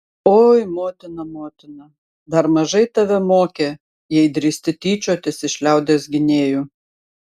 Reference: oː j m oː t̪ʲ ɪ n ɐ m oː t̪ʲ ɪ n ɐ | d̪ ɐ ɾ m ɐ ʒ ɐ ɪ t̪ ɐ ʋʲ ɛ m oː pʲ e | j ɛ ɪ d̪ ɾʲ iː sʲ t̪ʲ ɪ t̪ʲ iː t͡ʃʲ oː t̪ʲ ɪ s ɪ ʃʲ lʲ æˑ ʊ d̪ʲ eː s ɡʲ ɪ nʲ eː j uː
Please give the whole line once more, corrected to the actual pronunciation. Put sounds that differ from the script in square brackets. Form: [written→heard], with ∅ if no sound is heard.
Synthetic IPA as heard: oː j m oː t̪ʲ ɪ n ɐ m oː t̪ʲ ɪ n ɐ | d̪ ɐ ɾ m ɐ ʒ ɐ ɪ t̪ ɐ ʋʲ ɛ m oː [pʲ→kʲ] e | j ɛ ɪ d̪ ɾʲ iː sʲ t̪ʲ ɪ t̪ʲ iː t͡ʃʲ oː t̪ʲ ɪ s ɪ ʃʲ lʲ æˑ ʊ d̪ʲ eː s ɡʲ ɪ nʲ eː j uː